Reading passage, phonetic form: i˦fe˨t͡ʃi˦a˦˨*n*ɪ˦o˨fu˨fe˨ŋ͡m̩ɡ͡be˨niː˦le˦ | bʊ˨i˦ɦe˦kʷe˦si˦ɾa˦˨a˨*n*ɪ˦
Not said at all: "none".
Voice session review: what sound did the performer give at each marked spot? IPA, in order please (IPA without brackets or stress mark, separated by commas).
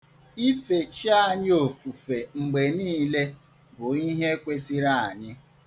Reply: ɲ, ɲ